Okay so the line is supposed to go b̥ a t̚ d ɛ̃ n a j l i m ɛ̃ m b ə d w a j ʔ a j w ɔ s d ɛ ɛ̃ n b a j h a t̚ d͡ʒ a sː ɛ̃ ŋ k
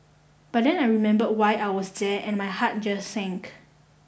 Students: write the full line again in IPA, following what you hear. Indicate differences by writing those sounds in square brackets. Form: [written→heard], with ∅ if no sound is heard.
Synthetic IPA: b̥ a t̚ d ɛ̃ n a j [l→ɹ] i m ɛ̃ m b ə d w a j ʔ a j w ɔ s d ɛ ɛ̃ n [b→m] a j h a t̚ d͡ʒ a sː ɛ̃ ŋ k